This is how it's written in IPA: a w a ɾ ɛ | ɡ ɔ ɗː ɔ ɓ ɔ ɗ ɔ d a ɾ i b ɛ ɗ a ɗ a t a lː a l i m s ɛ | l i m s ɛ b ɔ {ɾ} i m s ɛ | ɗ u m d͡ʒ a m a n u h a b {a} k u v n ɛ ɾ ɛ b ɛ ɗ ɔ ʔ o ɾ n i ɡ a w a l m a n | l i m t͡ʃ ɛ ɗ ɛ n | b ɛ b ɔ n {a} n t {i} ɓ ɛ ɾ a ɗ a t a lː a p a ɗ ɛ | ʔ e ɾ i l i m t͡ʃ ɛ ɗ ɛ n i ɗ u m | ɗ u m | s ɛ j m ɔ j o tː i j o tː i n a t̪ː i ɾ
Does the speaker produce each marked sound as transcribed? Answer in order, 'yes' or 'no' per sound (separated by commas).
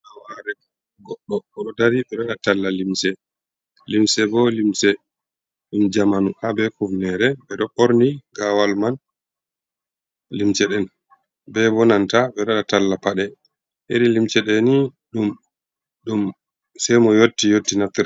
no, no, yes, no